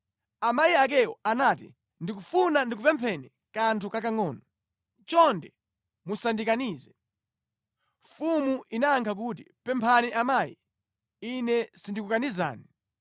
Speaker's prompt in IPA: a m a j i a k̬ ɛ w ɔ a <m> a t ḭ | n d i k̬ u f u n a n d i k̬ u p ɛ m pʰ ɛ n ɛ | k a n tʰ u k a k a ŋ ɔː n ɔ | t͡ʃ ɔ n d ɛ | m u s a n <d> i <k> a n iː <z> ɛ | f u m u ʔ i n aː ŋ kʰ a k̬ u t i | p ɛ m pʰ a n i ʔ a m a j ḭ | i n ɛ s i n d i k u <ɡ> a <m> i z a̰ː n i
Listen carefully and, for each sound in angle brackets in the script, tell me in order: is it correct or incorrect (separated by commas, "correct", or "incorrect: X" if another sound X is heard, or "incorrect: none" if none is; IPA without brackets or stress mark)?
incorrect: n, correct, correct, correct, incorrect: k, incorrect: n